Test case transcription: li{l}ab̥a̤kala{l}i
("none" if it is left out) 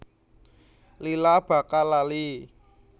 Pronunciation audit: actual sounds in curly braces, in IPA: l, l

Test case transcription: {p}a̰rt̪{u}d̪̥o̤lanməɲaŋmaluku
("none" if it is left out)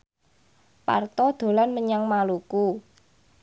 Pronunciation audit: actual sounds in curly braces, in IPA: p, ɔ

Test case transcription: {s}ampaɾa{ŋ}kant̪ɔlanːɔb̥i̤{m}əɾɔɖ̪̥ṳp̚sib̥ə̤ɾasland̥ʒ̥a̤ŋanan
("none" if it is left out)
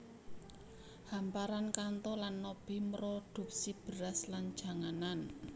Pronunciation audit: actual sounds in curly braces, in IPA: h, n, m

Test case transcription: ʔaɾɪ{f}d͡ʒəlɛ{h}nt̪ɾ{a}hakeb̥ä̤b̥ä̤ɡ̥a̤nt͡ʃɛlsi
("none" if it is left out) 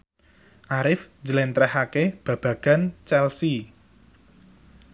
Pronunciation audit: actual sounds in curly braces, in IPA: f, none, ɛ

